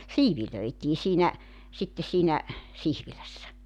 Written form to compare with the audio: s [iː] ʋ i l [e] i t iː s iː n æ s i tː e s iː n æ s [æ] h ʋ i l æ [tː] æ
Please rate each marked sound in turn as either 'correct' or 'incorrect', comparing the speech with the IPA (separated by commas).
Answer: correct, incorrect, incorrect, incorrect